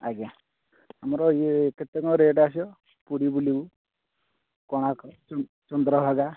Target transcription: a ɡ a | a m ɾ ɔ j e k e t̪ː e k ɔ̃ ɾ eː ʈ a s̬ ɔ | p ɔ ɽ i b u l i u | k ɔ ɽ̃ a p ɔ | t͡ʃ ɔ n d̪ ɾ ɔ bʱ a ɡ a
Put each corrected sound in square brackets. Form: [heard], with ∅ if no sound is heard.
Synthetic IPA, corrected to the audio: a ɡ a | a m ɾ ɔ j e k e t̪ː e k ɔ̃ ɾ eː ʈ a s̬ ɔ | p [u] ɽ i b u l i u | k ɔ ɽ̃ a [k] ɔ | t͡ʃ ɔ n d̪ ɾ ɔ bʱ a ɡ a